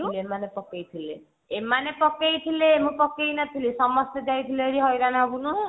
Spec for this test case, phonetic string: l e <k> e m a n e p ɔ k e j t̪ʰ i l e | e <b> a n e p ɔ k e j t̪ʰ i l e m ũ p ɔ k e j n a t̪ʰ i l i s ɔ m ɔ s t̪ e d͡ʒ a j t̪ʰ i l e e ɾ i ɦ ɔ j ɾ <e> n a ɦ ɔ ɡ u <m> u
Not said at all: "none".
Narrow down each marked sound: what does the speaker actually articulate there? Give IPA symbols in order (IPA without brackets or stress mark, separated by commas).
none, m, a, n